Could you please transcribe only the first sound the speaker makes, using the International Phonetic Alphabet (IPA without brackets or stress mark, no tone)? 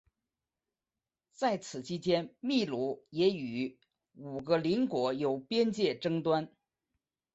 t͡s